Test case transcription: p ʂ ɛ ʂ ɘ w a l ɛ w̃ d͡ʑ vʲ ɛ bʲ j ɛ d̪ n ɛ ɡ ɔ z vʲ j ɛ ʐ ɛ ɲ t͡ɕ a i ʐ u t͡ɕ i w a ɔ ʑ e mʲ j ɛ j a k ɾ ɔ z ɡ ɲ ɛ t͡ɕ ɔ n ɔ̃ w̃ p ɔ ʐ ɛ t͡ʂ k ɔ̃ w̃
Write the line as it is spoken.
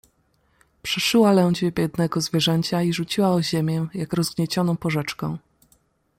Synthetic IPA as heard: p ʂ ɛ ʂ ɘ w a l ɛ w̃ d͡ʑ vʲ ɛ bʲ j ɛ d̪ n ɛ ɡ ɔ z vʲ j ɛ ʐ ɛ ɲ t͡ɕ a i ʐ u t͡ɕ i w a ɔ ʑ e mʲ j ɛ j a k ɾ ɔ z ɡ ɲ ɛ t͡ɕ ɔ n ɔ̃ w̃ p ɔ ʐ ɛ t͡ʂ k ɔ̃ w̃